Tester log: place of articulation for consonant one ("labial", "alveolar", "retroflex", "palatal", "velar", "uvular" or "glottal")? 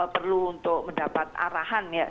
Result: labial